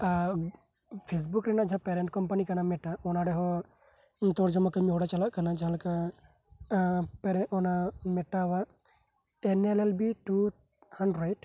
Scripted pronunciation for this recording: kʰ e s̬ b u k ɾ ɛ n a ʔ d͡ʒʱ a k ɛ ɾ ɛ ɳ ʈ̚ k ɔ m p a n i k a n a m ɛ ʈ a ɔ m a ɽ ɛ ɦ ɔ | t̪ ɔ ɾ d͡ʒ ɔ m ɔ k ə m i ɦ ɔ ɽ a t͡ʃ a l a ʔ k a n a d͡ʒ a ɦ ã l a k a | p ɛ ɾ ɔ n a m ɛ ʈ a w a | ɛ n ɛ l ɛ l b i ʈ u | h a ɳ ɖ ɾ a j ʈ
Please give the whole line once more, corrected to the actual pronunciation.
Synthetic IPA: pʰ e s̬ b u k ɾ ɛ n a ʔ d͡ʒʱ a p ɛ ɾ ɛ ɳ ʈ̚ k ɔ m p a n i k a n a m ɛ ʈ a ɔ n a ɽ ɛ ɦ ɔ | t̪ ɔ ɾ d͡ʒ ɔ m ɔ k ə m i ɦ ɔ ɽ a t͡ʃ a l a ʔ k a n a d͡ʒ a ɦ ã l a k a | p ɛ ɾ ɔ n a m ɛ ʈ a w a | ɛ n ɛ l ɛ l b i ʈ u | h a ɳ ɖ ɾ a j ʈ